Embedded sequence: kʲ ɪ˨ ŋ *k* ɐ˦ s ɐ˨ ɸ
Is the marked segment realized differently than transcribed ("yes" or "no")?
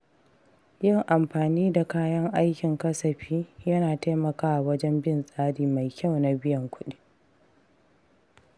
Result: no